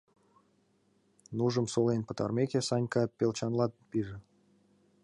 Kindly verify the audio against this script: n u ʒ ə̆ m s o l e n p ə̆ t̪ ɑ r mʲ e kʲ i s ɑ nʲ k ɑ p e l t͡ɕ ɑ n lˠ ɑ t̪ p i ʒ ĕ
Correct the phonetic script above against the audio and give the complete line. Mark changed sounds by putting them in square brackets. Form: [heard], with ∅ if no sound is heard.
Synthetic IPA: n u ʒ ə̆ m s o l e n p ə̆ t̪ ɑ r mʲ e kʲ [e] s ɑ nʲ k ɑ p e l t͡ɕ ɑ n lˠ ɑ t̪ p i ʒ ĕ